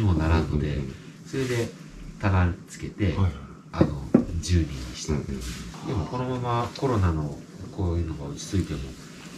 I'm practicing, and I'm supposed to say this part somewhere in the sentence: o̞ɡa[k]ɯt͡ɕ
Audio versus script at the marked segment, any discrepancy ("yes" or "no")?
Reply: yes